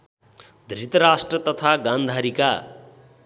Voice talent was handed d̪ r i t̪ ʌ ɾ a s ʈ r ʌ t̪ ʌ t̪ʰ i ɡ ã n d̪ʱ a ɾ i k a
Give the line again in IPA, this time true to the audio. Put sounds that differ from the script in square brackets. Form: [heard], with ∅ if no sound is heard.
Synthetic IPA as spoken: d̪ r i t̪ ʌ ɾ a s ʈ r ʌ t̪ ʌ t̪ʰ [a] ɡ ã n d̪ʱ a ɾ i k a